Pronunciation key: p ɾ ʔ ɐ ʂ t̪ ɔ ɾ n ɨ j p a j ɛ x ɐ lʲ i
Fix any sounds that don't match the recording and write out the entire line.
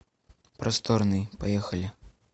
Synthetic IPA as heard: p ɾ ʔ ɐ s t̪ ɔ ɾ n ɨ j p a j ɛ x ɐ lʲ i